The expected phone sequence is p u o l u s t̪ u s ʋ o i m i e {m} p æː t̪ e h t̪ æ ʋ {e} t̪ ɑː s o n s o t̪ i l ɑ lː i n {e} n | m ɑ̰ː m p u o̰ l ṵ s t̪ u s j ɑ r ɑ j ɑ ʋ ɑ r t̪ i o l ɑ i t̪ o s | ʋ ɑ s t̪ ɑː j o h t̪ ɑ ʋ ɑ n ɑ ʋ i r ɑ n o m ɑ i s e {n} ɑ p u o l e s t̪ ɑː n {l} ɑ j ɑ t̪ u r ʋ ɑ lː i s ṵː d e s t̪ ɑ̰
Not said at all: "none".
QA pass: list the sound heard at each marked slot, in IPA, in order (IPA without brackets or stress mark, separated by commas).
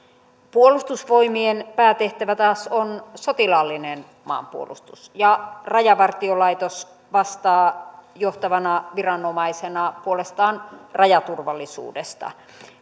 n, æ, e, n, r